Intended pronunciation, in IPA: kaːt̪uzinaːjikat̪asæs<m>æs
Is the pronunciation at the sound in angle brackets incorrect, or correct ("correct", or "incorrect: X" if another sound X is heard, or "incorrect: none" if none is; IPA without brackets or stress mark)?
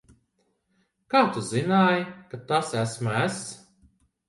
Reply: correct